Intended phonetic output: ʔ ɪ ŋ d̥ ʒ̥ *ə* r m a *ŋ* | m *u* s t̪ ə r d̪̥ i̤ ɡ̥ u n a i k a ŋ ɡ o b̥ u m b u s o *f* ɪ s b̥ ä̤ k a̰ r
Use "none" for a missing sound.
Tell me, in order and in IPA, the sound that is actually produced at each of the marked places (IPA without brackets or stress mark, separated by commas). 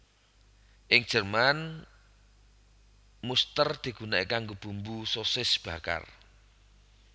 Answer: ə, n, u, s